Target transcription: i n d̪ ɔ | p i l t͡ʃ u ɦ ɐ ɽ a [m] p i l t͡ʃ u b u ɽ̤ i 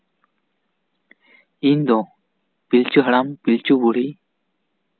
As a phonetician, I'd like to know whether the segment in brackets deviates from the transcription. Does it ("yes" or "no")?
no